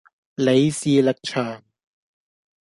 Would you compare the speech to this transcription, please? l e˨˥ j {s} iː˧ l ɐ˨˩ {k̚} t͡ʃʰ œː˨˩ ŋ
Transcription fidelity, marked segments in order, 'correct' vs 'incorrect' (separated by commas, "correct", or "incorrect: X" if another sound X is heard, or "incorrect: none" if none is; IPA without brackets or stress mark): correct, correct